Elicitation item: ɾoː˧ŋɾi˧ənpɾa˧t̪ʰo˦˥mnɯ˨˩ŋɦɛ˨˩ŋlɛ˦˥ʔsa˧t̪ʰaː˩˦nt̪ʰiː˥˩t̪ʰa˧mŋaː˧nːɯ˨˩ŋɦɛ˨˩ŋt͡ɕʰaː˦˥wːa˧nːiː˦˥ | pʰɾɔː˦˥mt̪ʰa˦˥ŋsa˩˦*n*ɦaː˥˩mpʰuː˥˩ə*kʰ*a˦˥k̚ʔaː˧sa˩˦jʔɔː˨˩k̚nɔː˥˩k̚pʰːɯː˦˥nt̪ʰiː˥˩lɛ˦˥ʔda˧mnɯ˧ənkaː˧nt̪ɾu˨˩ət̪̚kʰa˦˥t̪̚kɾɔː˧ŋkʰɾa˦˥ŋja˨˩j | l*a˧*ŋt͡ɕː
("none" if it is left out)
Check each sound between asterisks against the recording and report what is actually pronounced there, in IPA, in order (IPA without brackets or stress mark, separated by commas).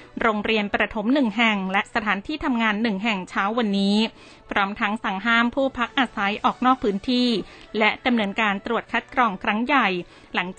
ŋ, pʰ, a˩˦